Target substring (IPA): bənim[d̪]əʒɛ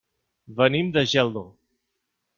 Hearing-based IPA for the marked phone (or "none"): d̪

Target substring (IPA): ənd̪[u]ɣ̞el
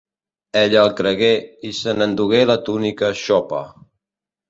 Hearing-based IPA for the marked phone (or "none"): u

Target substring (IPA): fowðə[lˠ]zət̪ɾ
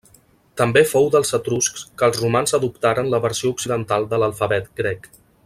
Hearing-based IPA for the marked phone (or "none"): lˠ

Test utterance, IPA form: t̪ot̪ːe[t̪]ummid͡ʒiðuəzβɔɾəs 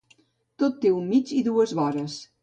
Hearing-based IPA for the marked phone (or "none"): none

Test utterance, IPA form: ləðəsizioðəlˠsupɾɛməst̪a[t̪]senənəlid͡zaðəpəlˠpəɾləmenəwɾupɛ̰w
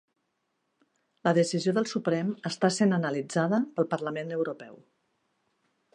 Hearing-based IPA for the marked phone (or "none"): none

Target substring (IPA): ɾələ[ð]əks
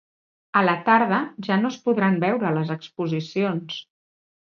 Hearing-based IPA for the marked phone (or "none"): z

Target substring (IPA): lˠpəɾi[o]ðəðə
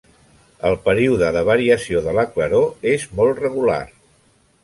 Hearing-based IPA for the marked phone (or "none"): u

